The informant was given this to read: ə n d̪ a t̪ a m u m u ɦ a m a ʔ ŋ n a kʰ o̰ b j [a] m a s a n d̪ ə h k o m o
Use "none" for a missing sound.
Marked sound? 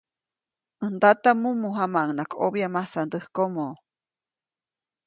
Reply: a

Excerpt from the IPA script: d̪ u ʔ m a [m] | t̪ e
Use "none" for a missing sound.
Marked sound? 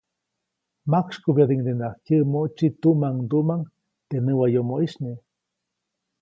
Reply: ŋ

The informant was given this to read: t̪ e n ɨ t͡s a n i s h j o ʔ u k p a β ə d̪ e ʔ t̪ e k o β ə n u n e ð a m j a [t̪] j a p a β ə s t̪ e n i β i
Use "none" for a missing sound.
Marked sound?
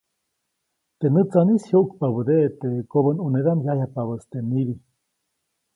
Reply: none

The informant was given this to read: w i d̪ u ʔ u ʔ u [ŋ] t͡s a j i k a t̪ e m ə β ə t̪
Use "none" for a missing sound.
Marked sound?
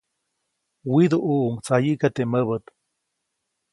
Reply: ŋ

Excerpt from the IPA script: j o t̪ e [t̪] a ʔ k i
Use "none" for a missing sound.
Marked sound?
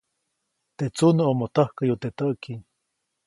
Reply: t̪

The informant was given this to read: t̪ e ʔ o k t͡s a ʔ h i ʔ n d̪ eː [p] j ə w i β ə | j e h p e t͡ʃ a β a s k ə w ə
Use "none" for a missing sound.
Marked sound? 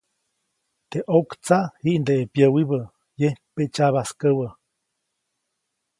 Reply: p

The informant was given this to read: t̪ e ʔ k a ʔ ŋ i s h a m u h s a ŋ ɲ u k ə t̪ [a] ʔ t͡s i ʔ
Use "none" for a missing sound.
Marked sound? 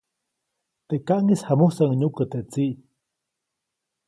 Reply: e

